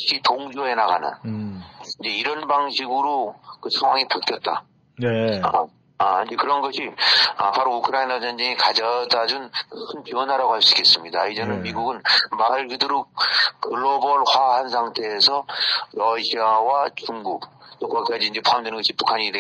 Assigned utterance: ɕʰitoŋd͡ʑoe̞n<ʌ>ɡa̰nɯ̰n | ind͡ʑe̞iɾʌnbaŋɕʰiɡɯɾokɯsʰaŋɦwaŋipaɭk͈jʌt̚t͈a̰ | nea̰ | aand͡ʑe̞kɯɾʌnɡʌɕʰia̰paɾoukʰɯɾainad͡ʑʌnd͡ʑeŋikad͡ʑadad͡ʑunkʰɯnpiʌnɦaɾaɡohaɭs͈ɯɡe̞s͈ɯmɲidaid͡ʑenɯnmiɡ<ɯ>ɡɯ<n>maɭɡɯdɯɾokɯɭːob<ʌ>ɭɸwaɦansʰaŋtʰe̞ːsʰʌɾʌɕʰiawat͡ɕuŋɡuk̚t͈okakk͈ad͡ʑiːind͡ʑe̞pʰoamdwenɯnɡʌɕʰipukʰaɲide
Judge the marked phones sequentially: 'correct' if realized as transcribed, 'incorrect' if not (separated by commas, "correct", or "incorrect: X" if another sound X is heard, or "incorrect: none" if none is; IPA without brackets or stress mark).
incorrect: a, incorrect: u, correct, correct